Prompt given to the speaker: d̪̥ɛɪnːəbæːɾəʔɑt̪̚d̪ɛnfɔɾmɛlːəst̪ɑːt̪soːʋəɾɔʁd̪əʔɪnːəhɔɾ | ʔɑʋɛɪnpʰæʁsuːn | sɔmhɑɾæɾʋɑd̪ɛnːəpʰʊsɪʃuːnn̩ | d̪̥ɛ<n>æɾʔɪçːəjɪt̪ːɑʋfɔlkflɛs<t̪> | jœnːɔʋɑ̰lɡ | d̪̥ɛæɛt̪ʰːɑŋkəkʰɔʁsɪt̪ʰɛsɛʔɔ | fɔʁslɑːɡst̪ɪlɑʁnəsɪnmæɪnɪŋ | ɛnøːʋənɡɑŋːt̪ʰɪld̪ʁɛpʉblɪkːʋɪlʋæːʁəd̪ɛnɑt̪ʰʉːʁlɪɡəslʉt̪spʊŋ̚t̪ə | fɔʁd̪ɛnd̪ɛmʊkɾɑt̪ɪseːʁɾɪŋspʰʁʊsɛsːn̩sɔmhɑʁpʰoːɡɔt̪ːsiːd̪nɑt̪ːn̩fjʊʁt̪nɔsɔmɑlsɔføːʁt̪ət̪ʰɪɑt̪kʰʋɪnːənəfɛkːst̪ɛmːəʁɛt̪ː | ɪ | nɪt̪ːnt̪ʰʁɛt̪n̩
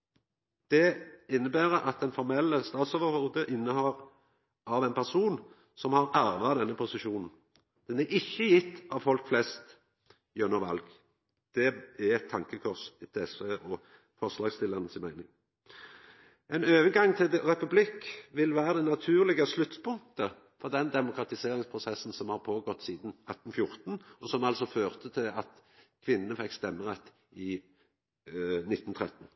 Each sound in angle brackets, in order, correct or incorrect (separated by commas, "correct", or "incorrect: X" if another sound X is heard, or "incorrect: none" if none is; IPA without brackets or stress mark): correct, correct